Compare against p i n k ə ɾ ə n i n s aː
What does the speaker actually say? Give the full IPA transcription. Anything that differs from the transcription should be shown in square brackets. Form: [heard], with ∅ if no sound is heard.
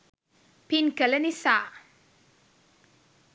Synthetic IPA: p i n k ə [l] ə n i [∅] s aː